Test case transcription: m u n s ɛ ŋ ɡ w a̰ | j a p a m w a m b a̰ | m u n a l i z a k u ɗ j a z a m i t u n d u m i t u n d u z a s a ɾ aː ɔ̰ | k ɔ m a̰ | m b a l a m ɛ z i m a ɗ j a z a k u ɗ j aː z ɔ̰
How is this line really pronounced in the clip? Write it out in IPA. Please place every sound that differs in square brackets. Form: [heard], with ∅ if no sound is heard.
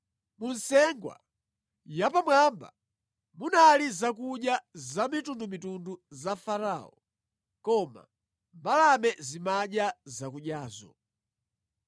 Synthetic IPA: m u n s ɛ ŋ ɡ w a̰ | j a p a m w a m b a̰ | m u n a l i z a k u ɗ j a z a m i t u n d u m i t u n d u z a [f] a ɾ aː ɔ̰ | k ɔ m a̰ | m b a l a m ɛ z i m a ɗ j a z a k u ɗ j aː z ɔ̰

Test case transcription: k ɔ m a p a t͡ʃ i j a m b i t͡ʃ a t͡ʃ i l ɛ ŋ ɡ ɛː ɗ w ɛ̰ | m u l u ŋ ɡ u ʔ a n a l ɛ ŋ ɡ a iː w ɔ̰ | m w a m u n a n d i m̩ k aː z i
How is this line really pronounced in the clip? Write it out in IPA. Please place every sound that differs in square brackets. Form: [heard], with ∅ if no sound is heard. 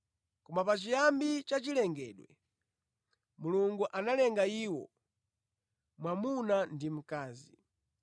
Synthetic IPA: k ɔ m a p a t͡ʃ i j a m b i t͡ʃ a t͡ʃ i l ɛ ŋ ɡ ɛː ɗ w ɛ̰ | m u l u ŋ ɡ u ʔ a n a l ɛ ŋ ɡ a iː w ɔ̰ | m w a m u n a n d i m̩ k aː z i

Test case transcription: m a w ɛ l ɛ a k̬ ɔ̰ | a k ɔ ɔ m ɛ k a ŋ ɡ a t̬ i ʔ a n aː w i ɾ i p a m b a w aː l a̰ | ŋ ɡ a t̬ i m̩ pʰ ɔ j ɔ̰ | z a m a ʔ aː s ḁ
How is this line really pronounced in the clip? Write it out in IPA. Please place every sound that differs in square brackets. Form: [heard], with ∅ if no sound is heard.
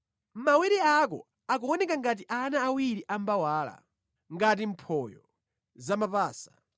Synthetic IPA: m a w ɛ [ɾ] ɛ a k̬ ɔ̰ | a k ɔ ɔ [n] ɛ k a ŋ ɡ a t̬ i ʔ a n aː w i ɾ i [ʔ] a m b a w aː l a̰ | ŋ ɡ a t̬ i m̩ pʰ ɔ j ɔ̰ | z a m a [p] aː s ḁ

